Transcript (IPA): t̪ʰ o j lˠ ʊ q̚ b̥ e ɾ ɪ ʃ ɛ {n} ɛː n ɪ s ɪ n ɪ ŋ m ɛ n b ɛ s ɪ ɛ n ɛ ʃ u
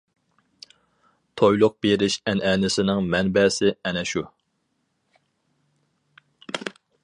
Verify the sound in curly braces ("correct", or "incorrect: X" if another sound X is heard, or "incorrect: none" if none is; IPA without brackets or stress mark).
correct